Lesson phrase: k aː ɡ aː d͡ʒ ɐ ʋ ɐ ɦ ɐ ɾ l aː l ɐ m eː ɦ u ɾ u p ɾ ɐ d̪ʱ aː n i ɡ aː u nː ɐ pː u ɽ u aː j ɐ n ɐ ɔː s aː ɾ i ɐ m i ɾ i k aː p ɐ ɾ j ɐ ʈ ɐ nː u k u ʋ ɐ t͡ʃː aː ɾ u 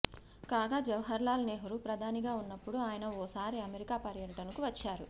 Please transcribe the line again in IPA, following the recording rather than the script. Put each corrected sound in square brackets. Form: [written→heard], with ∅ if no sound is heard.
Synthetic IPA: k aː ɡ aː d͡ʒ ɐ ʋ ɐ ɦ ɐ ɾ l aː l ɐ [m→n] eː ɦ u ɾ u p ɾ ɐ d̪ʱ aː n i ɡ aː u nː ɐ pː u ɽ u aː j ɐ n ɐ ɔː s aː ɾ i ɐ m [i→e] ɾ i k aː p ɐ ɾ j ɐ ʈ ɐ [nː→n] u k u ʋ ɐ t͡ʃː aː ɾ u